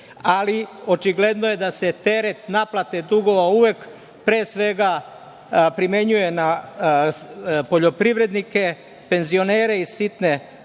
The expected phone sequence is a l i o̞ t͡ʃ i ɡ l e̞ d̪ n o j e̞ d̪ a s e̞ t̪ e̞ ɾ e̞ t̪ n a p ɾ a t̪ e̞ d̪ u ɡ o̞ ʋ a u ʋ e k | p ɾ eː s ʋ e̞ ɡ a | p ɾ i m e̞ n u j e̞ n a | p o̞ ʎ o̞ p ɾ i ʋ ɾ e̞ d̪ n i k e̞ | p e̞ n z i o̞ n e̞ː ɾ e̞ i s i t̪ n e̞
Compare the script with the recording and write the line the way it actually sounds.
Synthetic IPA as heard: a l i o̞ t͡ʃ i ɡ l e̞ d̪ n o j e̞ d̪ a s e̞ t̪ e̞ ɾ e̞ t̪ n a p l a t̪ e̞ d̪ u ɡ o̞ ʋ a u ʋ e k | p ɾ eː s ʋ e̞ ɡ a | p ɾ i m e̞ ɲ u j e̞ n a | p o̞ ʎ o̞ p ɾ i ʋ ɾ e̞ d̪ n i k e̞ | p e̞ n z i o̞ n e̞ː ɾ e̞ i s i t̪ n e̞

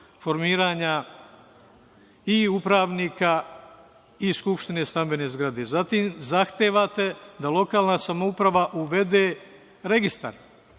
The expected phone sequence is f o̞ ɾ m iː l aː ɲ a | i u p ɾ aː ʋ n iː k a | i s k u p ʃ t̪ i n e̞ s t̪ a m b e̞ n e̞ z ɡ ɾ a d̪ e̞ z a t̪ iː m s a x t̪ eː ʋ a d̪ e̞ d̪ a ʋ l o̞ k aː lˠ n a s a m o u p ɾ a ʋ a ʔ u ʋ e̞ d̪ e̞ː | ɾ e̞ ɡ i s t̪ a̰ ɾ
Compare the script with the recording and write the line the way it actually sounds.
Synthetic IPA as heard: f o̞ ɾ m iː ɾ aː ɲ a | i u p ɾ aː ʋ n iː k a | i s k u p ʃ t̪ i n e̞ s t̪ a m b e̞ n e̞ z ɡ ɾ a d̪ e̞ z a t̪ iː m z a x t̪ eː ʋ a t̪ e̞ d̪ a l o̞ k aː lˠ n a s a m o u p ɾ a ʋ a ʔ u ʋ e̞ d̪ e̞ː | ɾ e̞ ɡ i s t̪ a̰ ɾ

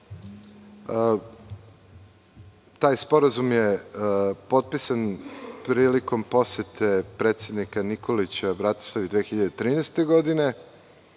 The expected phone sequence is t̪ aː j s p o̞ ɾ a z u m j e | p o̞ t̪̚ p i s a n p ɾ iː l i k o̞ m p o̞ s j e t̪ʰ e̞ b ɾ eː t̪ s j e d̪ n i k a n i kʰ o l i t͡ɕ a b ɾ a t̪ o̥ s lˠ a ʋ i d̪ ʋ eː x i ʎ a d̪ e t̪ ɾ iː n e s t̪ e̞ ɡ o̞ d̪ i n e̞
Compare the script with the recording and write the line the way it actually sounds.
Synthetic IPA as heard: t̪ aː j s p o̞ ɾ a z u m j e | p o̞ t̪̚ p i s a n p ɾ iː l i k o̞ m p o̞ s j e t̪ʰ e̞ p ɾ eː t̪ s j e d̪ n i k a n i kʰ o l i t͡ɕ a b ɾ a t̪ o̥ s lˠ a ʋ i d̪ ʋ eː x i ʎ a d̪ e t̪ ɾ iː n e s t̪ e̞ ɡ o̞ d̪ i n e̞

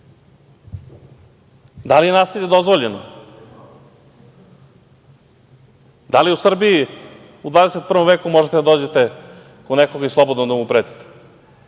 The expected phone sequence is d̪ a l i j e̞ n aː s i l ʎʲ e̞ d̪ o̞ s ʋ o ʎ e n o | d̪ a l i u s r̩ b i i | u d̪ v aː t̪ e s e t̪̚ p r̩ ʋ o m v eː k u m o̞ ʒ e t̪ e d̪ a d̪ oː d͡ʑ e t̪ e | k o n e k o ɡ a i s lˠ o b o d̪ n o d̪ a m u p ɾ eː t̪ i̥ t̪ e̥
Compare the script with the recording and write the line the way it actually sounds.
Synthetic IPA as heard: d̪ a l i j e̞ n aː s i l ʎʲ e̞ d̪ o̞ z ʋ o ʎ e n o | d̪ a l i u s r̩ b i i | u d̪ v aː d̪ e s e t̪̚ p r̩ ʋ o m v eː k u m o̞ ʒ e t̪ e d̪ a d̪ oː d͡ʑ e t̪ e | k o n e k o ɡ a i s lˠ o b o d̪ n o d̪ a m u p ɾ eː t̪ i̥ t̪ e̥

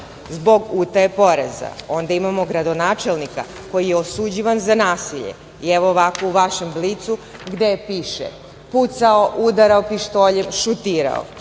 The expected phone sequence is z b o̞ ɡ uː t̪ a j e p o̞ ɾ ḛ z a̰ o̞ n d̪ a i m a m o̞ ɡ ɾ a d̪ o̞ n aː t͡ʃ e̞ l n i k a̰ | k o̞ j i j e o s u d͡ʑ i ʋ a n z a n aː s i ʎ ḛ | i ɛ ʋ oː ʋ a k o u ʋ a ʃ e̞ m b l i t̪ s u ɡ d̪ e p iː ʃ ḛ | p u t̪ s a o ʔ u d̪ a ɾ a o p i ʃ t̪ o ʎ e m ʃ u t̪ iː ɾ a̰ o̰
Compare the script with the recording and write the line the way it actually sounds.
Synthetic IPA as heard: z b o̞ ɡ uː t̪ a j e p o̞ ɾ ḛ z a̰ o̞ n d̪ a i m a m o̞ ɡ ɾ a d̪ o̞ n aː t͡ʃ e̞ l n i k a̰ | k o̞ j i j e o s u d͡ʑ i ʋ a n z a n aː s i ʎ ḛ | i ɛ ʋ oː ʋ a k o u ʋ a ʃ e̞ m b l i t̪ s u ɡ d̪ e p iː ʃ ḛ | p u t̪ s a o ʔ u d̪ a ɾ a o p i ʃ t̪ o ʎ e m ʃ u t̪ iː ɾ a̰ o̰

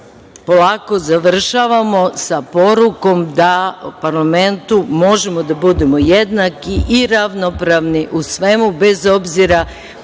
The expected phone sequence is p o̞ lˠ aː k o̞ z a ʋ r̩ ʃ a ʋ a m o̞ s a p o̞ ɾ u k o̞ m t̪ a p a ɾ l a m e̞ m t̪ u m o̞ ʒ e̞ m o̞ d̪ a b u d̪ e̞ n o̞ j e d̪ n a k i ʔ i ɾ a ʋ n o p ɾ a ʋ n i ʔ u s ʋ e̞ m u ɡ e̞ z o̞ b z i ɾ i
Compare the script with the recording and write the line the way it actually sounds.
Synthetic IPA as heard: p o̞ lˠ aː k o̞ z a ʋ r̩ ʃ a ʋ a m o̞ s a p o̞ ɾ u k o̞ m d̪ a p a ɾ l a m e̞ n t̪ u m o̞ ʒ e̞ m o̞ d̪ a b u d̪ e̞ m o̞ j e d̪ n a k i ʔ i ɾ a ʋ n o p ɾ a ʋ n i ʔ u s ʋ e̞ m u b e̞ z o̞ b z i ɾ a

